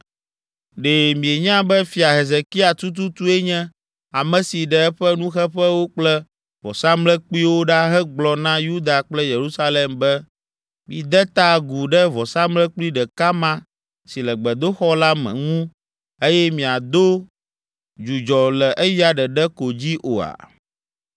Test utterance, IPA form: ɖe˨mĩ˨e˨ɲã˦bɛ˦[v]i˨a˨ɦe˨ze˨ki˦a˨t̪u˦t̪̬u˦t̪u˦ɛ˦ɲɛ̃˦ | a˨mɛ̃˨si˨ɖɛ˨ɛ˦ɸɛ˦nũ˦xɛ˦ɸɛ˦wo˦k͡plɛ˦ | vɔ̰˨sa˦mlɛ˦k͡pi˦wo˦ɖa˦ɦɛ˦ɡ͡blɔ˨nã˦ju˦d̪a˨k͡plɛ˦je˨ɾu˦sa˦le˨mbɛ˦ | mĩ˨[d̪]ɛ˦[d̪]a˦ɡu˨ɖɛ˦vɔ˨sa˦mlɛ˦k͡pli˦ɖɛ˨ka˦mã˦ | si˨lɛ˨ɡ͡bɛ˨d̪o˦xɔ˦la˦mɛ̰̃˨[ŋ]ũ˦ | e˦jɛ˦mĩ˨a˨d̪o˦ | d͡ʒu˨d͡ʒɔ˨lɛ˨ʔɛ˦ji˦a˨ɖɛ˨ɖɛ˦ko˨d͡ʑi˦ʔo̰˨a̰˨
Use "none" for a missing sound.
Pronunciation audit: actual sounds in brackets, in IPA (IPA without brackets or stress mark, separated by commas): f, d̪, t̪, ŋ